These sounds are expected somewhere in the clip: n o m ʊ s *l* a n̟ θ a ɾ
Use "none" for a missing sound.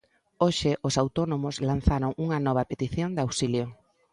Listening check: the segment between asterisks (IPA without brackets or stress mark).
l